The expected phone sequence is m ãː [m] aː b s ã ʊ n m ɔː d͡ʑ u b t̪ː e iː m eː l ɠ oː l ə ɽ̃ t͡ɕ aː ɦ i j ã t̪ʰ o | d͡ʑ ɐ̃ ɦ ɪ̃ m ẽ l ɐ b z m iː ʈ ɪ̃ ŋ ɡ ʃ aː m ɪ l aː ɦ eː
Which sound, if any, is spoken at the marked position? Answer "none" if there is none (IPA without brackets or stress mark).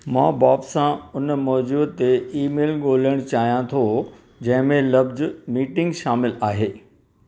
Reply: b